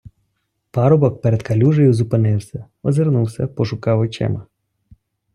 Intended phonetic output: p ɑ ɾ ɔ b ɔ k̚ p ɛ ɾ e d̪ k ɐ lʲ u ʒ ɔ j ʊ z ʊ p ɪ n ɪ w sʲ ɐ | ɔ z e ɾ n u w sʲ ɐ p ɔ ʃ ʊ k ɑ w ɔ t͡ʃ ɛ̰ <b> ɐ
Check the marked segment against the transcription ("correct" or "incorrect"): incorrect